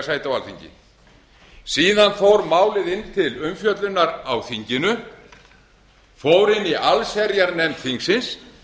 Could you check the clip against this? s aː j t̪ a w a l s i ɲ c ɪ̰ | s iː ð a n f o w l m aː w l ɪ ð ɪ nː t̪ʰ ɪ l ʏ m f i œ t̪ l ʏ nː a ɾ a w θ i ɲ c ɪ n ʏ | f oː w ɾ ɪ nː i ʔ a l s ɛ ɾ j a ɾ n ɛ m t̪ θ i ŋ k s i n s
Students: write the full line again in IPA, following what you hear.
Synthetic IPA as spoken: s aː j t̪ a w a l θ i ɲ c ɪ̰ | s iː ð a n f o w ɾ m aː w l ɪ ð ɪ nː t̪ʰ ɪ l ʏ m f j œ t̪ l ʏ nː a ɾ a w θ i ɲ c ɪ n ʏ | f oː w ɾ ɪ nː i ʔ a l s ɛ ɾ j a ɾ n ɛ m t̪ θ i ŋ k s ɪ n s